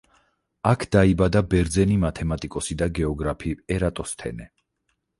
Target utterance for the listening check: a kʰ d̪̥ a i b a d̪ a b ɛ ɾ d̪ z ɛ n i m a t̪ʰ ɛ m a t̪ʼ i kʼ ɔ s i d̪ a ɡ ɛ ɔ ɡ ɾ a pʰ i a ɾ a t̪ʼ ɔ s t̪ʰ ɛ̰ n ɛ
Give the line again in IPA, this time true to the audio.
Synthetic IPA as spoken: a kʰ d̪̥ a i b a d̪ a b ɛ ɾ d̪ z ɛ n i m a t̪ʰ ɛ m a t̪ʼ i kʼ ɔ s i d̪ a ɡ ɛ ɔ ɡ ɾ a pʰ i ɛ ɾ a t̪ʼ ɔ s t̪ʰ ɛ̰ n ɛ